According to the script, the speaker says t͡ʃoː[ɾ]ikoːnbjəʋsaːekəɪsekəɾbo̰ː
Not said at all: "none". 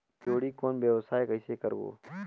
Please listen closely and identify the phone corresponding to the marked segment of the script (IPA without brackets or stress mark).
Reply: ɽ